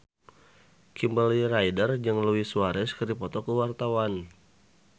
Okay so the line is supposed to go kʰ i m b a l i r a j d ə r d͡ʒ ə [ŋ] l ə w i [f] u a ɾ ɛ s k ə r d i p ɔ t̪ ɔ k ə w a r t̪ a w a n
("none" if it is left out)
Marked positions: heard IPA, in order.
ŋ, s

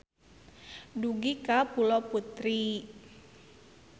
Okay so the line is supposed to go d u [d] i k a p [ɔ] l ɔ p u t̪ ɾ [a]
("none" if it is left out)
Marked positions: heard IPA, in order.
ɡ, u, i

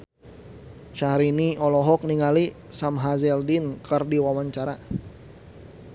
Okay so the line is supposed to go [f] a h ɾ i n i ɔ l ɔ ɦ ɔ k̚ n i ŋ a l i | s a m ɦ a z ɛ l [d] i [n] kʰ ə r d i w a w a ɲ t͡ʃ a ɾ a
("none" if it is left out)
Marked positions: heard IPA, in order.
ʃ, d, n

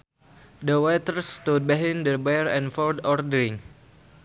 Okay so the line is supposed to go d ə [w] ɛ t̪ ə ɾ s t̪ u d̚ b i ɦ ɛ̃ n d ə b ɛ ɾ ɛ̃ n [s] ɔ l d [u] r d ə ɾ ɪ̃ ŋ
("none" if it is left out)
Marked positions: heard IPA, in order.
w, f, ɔ

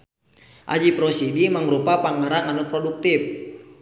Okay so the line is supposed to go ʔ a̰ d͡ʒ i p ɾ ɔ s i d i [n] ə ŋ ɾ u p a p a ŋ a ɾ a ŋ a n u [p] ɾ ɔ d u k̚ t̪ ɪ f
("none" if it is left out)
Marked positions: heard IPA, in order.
m, p

